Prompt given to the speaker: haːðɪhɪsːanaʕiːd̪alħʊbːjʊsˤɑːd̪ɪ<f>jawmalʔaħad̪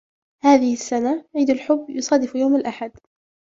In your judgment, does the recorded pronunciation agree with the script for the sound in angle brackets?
yes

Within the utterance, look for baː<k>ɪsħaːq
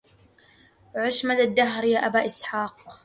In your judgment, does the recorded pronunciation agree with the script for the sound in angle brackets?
no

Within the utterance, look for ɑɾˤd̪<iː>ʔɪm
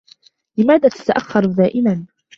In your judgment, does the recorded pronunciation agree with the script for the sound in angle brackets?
no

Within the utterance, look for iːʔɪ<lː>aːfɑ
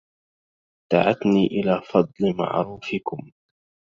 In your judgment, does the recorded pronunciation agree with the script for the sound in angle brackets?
no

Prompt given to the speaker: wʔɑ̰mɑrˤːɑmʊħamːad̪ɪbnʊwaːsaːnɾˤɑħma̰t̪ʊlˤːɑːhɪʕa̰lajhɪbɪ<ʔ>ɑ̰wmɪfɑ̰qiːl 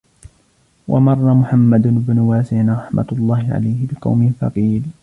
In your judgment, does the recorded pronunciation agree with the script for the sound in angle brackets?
no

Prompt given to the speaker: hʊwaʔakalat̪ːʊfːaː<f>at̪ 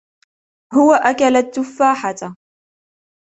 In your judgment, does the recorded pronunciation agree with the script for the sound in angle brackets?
no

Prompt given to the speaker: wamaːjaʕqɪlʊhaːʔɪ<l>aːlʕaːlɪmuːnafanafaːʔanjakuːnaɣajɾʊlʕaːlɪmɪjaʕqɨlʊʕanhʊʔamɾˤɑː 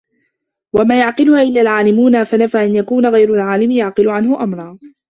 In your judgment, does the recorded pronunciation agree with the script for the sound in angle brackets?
no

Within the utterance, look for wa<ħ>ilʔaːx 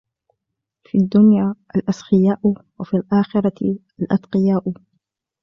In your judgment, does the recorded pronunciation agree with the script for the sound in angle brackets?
no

